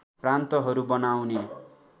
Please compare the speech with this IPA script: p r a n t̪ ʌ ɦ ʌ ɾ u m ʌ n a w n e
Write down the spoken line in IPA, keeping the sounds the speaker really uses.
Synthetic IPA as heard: p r a n t̪ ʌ ɦ ʌ ɾ u b ʌ n a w n e